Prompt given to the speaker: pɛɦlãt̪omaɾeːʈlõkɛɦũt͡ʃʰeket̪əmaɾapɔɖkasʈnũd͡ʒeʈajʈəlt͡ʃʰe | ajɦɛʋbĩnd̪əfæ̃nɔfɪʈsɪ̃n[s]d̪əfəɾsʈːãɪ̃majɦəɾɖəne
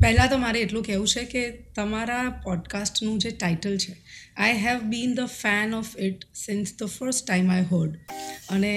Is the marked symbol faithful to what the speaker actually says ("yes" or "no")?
yes